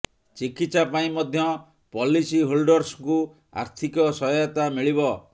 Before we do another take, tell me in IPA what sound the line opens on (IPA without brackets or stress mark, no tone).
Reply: t͡ʃ